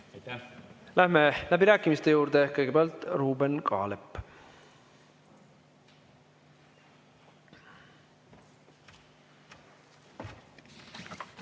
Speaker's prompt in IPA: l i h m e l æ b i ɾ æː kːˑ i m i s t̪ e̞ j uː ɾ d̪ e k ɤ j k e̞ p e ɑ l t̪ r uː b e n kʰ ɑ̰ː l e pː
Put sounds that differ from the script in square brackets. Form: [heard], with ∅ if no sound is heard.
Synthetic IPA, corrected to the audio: l [æ] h m e l æ b i ɾ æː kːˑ i m i s t̪ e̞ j uː ɾ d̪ e k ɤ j [ɡ] e̞ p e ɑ l t̪ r uː b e n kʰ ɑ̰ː l e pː